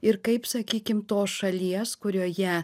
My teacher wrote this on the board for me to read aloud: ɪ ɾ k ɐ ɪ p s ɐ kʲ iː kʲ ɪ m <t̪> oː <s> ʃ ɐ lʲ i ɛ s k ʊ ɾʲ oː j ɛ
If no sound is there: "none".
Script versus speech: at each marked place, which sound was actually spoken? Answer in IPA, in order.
t̪, s

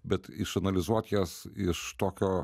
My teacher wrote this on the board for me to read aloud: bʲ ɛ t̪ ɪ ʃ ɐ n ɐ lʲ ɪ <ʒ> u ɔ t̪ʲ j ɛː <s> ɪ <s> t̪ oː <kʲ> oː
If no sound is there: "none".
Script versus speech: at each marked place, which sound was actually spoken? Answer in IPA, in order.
z, s, ʃ, kʲ

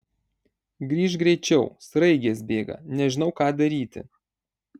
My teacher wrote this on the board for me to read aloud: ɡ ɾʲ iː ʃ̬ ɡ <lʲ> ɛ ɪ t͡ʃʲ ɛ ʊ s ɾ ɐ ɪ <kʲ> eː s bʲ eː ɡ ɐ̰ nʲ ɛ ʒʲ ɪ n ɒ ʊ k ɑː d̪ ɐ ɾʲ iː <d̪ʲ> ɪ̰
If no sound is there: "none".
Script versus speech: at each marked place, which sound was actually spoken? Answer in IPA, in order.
ɾʲ, ɡʲ, t̪ʲ

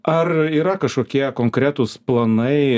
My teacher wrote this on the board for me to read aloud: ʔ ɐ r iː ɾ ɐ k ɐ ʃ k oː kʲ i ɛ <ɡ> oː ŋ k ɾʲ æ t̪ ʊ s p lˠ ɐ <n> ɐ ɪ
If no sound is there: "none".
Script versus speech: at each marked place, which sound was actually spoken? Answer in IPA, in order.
k, n

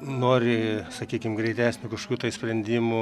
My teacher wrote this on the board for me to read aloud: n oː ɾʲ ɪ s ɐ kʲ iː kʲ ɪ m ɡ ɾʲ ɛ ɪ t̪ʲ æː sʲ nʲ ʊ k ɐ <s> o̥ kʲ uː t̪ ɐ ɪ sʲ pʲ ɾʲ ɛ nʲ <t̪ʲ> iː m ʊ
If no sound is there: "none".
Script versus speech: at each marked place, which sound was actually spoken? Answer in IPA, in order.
ʃ, d̪ʲ

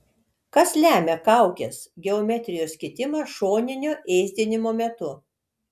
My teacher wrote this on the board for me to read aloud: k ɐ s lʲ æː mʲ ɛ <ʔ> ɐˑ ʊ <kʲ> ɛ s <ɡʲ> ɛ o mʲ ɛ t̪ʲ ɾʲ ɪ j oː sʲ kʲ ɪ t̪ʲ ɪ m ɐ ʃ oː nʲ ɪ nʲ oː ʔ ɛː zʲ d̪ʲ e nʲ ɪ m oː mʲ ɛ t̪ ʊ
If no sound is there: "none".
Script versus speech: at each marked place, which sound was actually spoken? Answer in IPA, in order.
k, kʲ, ɡʲ

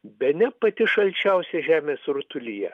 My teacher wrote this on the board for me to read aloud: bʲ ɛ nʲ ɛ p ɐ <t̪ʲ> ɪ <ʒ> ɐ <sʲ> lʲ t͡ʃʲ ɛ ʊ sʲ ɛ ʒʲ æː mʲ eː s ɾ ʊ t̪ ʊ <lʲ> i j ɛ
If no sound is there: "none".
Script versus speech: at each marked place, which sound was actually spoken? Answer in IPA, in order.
t̪ʲ, ʃ, none, lʲ

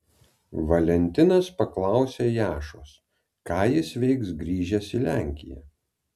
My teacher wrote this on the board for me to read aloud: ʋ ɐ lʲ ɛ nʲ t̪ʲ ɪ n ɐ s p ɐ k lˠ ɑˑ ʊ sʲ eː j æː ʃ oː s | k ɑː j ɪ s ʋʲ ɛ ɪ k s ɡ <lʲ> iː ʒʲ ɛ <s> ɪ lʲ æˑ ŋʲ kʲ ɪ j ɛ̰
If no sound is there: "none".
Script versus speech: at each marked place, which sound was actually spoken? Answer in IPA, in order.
ɾʲ, s

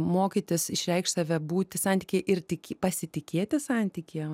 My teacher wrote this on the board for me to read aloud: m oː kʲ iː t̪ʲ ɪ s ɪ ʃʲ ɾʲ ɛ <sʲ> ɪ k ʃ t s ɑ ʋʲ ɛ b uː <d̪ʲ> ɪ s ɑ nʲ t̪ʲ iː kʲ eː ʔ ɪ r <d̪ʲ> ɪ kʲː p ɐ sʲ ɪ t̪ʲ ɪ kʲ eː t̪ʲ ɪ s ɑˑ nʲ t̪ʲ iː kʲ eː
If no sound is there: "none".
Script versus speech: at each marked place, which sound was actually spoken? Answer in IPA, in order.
none, t̪ʲ, t̪ʲ

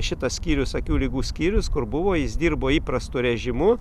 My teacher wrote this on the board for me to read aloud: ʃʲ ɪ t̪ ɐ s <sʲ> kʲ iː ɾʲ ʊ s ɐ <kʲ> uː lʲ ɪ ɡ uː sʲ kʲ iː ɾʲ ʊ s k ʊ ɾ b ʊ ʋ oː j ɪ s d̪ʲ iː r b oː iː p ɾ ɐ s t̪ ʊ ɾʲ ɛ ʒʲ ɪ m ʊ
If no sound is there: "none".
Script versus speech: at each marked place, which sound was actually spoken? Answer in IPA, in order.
sʲ, kʲ

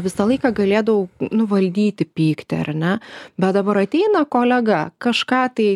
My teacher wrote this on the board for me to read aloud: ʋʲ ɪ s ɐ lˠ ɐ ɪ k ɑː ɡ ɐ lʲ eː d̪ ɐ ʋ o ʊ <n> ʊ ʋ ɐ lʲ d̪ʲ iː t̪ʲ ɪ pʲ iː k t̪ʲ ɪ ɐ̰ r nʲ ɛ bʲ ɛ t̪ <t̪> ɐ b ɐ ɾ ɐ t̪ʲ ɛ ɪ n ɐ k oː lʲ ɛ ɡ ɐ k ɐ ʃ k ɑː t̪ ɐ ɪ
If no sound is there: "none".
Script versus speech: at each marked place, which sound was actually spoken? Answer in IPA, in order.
n, d̪

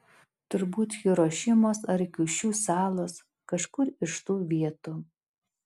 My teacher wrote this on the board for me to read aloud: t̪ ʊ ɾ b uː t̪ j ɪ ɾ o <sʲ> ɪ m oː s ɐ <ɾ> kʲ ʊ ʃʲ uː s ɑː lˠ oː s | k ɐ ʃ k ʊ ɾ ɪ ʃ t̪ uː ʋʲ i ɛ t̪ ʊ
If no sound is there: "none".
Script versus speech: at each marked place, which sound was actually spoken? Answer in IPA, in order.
ʃʲ, ɾ

